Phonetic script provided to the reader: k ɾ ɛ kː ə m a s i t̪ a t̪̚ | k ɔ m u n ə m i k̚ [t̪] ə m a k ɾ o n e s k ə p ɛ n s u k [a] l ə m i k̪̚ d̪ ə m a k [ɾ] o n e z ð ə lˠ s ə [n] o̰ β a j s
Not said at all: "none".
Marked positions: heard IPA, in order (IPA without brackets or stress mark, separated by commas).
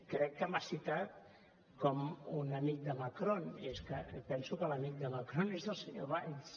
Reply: d̪, ə, ɾ, ɲ